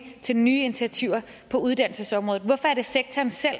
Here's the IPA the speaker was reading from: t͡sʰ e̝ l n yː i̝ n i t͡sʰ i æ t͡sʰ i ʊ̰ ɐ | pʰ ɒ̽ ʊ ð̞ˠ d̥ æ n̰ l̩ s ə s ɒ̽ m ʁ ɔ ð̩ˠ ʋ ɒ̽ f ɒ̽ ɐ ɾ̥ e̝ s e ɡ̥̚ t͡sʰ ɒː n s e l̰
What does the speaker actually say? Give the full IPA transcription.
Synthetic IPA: t͡sʰ e̝ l n yː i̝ n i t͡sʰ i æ t͡sʰ i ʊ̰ ɐ | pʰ ɒ̽ u ð̞ˠ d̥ æ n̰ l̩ s ə s ɒ̽ m ʁ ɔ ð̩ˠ ʋ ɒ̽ f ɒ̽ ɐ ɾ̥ e̝ s e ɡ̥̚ t͡sʰ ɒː n s e l̰

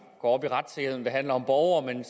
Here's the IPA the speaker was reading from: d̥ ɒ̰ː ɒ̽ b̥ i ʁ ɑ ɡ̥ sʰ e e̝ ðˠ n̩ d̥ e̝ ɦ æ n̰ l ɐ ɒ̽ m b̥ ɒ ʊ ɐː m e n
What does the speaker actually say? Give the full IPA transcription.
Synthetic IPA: ɡ̥ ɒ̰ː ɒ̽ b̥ i ʁ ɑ d̥ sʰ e e̝ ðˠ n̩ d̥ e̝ ɦ æ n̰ l ɐ ɒ̽ m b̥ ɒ ʊ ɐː m e n

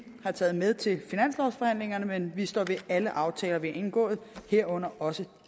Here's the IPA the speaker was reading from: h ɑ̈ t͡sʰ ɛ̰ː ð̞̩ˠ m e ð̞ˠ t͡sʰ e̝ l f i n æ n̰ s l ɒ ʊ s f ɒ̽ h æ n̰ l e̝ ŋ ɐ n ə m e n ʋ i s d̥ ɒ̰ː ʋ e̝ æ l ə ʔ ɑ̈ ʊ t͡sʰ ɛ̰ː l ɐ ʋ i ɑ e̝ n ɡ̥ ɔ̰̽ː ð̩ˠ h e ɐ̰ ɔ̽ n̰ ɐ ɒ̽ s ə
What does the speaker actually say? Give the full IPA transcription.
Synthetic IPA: h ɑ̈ t͡sʰ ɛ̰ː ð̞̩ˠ m e ð̞ˠ t͡sʰ e̝ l f i n æ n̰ s l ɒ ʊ s f ɒ̽ h æ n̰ l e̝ ŋ ɐ n ə m e n ʋ i s d̥ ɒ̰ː ʋ e̝ æ l ə ʔ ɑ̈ ʊ t͡sʰ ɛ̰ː l ɐ ʋ i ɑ e̝ n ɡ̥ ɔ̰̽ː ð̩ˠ h e ɐ̰ ɔ̽ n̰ ɐ ɒ̽ s ə

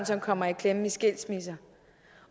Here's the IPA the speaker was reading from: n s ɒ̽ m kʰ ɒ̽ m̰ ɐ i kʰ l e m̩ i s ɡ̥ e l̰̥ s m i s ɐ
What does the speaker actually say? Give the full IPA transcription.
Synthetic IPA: n s ɒ̽ m kʰ ɒ̽ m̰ ɐ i kʰ l e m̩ i s ɡ̥ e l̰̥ s m i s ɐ

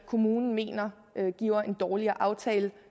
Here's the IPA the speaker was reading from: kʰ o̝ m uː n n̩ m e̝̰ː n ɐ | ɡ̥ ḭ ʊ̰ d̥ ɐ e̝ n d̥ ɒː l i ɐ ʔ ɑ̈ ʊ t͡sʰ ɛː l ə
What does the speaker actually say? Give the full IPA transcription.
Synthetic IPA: kʰ o̝ m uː n n̩ m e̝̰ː n ɐ | ɡ̥ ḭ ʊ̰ ɐ e̝ n d̥ ɒː l i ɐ ʔ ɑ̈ ʊ t͡sʰ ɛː l ə

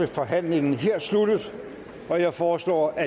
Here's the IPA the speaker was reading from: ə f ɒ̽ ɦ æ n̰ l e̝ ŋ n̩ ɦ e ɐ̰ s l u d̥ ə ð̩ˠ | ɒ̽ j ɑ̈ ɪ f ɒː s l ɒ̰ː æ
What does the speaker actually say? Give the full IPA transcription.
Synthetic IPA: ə f ɒ̽ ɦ æ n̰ l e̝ ŋ n̩ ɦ e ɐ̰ s l u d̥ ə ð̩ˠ | ɒ̽ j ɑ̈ ɪ f ɒː s l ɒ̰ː æ

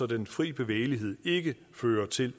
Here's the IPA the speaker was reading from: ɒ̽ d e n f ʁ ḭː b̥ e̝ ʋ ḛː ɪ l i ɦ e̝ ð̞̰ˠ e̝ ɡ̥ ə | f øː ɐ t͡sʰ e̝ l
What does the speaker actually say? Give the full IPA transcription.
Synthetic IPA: ɒ̽ d e n f ʁ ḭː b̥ e̝ ʋ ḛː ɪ l i ɦ e̝ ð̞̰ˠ e̝ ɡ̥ ə | f øː ɐ t͡sʰ e̝ l

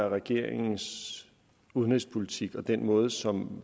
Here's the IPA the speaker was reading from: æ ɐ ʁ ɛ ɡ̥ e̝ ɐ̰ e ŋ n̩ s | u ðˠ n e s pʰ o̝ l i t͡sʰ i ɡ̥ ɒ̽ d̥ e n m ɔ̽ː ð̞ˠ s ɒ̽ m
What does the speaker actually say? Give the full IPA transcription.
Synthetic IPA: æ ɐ ʁ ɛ ɡ̥ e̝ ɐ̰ e ŋ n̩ s | u ðˠ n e s pʰ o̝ l i t͡sʰ i ɡ̥ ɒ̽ d̥ e n m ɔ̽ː ð̞ˠ s ɒ̽ m

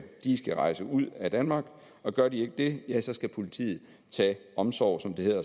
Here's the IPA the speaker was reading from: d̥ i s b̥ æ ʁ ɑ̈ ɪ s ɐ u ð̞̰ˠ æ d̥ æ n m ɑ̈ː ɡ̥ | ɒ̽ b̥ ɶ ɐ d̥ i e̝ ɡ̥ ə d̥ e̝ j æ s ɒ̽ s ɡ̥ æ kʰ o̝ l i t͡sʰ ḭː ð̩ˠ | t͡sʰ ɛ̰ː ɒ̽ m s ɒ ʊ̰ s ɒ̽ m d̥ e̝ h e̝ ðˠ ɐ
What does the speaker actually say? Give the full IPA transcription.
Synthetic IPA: d̥ i s ɡ̥ æ ʁ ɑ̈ ɪ s ə u ð̞̰ˠ æ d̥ æ n m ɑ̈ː ɡ̥ | ɒ̽ ɡ̥ ɶ ɐ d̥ i e̝ ɡ̥ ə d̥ e̝ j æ s ɒ̽ s ɡ̥ æ pʰ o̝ l i t͡sʰ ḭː ð̩ˠ | t͡sʰ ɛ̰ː ɒ̽ m s ɒ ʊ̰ s ɒ̽ m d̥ e̝ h e̝ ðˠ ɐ

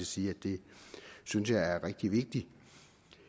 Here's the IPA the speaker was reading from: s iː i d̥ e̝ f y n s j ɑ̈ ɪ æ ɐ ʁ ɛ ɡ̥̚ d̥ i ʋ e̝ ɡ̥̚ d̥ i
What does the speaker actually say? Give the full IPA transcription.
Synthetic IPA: s iː æ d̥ e̝ s y n s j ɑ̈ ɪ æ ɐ ʁ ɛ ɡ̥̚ d̥ i ʋ e̝ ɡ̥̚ d̥ i

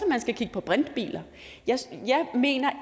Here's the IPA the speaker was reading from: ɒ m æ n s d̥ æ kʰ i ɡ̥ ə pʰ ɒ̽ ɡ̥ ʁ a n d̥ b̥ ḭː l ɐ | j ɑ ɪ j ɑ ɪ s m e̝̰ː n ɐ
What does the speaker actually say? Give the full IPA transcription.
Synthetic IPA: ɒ m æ n s ɡ̥ æ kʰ i ɡ̥ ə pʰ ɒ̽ b̥ ʁ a n d̥ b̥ ḭː l ɐ | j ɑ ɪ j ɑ ɪ m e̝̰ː n ɐ

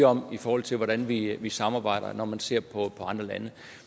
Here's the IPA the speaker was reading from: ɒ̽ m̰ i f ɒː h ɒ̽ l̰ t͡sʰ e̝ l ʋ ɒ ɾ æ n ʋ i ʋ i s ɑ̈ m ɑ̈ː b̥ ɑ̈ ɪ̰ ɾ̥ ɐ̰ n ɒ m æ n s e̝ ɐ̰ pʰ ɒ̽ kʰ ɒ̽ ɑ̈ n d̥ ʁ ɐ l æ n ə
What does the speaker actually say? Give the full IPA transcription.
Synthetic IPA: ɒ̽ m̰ i f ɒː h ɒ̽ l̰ t͡sʰ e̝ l ʋ ɒ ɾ æ n ʋ i ʋ i s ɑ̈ m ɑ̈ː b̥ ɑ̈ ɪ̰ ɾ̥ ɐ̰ n ɒ m æ n s e̝ ɐ̰ pʰ ɒ̽ pʰ ɒ̽ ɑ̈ n d̥ ʁ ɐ l æ n ə

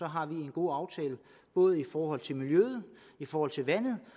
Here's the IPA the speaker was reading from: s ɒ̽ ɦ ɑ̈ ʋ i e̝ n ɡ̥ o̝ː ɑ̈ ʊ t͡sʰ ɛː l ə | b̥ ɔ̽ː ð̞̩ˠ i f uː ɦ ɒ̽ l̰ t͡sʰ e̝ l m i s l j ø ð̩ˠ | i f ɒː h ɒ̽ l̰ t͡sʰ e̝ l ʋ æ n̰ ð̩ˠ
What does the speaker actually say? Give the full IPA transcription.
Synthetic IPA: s ɒ̽ ɦ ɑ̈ ʋ i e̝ n ɡ̥ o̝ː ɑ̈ ʊ t͡sʰ ɛː l ə | b̥ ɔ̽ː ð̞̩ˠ i f ɒː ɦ ɒ̽ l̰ t͡sʰ e̝ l m i l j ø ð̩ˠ | i f ɒː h ɒ̽ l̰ t͡sʰ e̝ l ʋ æ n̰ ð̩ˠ

